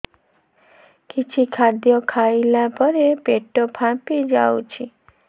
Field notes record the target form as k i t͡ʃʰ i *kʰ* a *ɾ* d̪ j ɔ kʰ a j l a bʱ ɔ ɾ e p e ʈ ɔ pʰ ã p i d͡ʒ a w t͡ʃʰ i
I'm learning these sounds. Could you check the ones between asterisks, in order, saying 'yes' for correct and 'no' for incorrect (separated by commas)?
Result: yes, yes